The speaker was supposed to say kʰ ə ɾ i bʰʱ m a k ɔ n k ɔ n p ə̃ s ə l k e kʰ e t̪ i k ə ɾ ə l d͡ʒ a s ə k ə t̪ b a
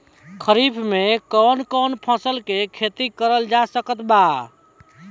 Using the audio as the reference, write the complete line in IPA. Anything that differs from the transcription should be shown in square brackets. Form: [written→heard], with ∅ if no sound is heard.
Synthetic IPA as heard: kʰ ə ɾ i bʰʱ m [a→e] k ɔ n k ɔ n [p→pʰ] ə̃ s ə l k e kʰ e t̪ i k ə ɾ ə l d͡ʒ a s ə k ə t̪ b a

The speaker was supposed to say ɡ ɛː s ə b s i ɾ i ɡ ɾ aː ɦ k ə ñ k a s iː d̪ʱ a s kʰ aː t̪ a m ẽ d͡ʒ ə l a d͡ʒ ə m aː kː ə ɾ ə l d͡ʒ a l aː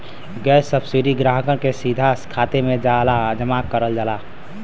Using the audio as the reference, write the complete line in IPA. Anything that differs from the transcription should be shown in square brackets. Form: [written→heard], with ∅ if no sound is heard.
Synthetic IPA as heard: ɡ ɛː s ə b s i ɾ i ɡ ɾ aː ɦ k ə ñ k [a→e] s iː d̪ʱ a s kʰ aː t̪ [a→e] m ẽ d͡ʒ [ə→a] l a d͡ʒ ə m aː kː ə ɾ ə l d͡ʒ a l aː

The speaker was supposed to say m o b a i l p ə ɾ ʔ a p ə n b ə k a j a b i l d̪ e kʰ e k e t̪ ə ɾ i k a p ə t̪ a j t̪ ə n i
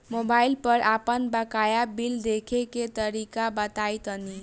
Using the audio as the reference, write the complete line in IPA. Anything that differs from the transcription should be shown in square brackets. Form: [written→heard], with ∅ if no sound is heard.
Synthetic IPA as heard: m o b a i l p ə ɾ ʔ a p ə n b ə k a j a b i l d̪ e kʰ e k e t̪ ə ɾ i k a [p→b] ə t̪ a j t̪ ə n i

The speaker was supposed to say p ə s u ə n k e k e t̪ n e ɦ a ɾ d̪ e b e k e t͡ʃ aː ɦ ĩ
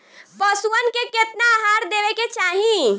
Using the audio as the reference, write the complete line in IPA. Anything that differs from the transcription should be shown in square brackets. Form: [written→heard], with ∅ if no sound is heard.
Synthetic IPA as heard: p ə s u ə n k e k e t̪ n [e→a] ɦ a ɾ d̪ e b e k e t͡ʃ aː ɦ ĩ

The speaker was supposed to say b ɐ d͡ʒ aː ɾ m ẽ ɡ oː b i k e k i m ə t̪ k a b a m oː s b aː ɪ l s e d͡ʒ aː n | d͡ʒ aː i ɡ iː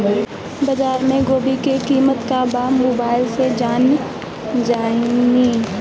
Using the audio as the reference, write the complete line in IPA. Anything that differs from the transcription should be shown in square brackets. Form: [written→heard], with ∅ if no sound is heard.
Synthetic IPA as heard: b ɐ d͡ʒ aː ɾ m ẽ ɡ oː b i k e k [i→iː] m ə t̪ k a b a m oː [s→∅] b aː ɪ l s e d͡ʒ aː n | d͡ʒ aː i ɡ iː

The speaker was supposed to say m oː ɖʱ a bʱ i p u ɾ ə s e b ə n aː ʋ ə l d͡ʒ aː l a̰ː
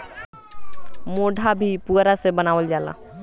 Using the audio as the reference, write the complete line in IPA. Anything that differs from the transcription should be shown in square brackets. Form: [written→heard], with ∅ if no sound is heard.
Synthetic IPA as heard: m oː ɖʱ a bʱ i p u ɾ [ə→a] s e b ə n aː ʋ ə l d͡ʒ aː l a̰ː

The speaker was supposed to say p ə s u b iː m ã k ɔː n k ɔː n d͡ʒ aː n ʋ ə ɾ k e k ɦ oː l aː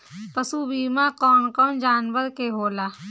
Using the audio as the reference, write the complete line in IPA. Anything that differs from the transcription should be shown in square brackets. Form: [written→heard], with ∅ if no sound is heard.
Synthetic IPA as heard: p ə s u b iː m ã k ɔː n k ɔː n d͡ʒ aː n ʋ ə ɾ k e [k→∅] ɦ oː l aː

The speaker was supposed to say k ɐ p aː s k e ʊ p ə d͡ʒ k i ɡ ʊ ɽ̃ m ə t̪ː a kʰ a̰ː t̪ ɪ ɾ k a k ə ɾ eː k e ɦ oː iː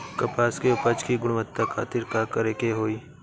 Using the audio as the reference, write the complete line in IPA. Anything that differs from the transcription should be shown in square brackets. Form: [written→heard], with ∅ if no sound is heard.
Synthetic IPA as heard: k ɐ p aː s k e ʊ p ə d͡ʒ k i ɡ ʊ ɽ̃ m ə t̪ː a kʰ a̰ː t̪ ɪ ɾ k a k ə ɾ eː k e ɦ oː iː

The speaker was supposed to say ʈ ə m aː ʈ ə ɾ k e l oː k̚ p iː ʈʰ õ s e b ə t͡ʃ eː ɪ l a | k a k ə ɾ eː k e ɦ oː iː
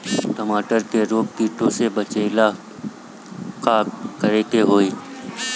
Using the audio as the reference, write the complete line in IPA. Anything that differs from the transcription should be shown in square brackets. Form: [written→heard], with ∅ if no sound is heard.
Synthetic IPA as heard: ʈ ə m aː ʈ ə ɾ k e [l→ɾ] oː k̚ p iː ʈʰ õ s e b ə t͡ʃ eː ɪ l a | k a k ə ɾ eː k e ɦ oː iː

